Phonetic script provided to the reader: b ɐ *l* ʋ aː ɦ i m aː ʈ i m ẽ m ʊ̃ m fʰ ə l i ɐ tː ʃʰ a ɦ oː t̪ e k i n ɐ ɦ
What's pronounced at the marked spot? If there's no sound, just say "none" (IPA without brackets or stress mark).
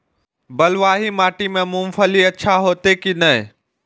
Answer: l